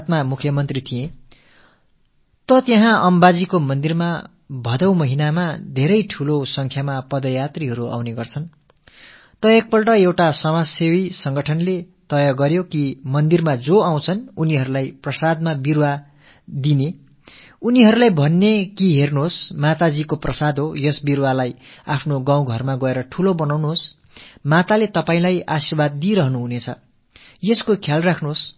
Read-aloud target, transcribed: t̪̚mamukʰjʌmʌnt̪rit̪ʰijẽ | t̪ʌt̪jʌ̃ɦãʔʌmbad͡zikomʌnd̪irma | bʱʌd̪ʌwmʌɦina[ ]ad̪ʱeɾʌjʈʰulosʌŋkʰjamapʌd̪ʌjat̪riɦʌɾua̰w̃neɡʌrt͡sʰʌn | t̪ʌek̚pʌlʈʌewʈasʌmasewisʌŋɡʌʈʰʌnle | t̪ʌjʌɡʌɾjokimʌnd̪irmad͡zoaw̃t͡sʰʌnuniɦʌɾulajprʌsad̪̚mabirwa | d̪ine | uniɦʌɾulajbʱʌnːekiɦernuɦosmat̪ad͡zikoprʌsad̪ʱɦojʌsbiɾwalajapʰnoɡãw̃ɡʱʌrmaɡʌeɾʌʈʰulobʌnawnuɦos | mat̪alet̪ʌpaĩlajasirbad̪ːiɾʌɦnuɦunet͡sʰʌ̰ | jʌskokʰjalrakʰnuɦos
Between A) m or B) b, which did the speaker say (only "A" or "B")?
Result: A